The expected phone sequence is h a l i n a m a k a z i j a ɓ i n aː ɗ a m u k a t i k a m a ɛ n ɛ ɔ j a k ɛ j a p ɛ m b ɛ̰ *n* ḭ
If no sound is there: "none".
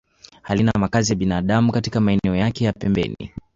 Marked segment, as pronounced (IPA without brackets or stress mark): n